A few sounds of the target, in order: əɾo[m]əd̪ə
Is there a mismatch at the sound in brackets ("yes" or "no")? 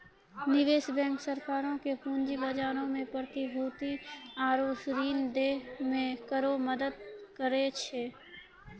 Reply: no